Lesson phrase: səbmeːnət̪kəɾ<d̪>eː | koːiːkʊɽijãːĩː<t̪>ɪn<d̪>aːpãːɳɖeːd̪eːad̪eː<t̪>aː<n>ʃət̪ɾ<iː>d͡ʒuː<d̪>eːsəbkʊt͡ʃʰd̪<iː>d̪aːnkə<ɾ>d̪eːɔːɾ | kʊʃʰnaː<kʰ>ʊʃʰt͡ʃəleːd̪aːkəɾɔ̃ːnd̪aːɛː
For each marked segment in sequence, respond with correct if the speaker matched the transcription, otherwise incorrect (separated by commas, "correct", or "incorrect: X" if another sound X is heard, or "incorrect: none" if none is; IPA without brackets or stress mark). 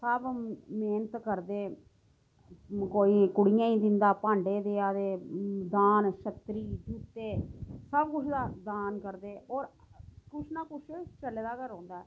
correct, incorrect: d̪, correct, incorrect: d̪, correct, correct, incorrect: t̪, incorrect: aː, correct, incorrect: k